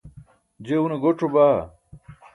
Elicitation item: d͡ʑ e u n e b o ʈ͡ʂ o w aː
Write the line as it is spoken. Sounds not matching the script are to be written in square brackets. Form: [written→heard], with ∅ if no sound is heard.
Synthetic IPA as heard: d͡ʑ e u n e [b→ɡ] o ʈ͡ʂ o [w→b] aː